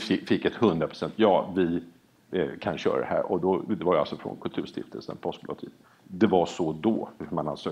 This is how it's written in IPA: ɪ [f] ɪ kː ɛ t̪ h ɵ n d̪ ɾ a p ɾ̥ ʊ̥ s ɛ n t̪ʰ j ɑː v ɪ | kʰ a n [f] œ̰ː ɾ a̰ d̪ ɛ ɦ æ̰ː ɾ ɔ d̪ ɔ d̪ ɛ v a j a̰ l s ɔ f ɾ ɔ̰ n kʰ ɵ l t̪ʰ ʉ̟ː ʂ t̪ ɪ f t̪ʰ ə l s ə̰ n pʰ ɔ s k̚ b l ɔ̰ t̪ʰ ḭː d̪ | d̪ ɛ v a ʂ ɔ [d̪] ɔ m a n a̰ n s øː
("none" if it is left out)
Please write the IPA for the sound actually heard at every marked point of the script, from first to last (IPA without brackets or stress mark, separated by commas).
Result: f, ɕ, d̪